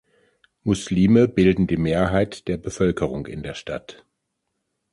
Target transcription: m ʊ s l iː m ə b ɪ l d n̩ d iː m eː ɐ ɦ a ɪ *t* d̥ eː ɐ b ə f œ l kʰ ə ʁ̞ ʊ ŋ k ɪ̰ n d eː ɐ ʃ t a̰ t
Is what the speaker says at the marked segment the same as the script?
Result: yes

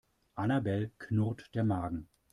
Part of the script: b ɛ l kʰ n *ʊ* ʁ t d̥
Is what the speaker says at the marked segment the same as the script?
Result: yes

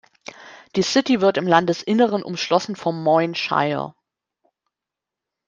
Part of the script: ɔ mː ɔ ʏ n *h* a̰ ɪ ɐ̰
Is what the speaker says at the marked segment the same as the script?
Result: no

